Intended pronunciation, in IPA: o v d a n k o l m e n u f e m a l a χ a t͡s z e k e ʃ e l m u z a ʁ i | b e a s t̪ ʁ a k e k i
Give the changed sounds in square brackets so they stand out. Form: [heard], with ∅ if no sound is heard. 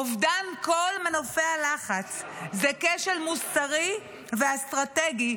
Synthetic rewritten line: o v d a n k o l m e n [o] f e [∅] a l a χ a t͡s z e k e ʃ e l m u [s] a ʁ i | [v] e a s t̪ ʁ a [t] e [ɡ] i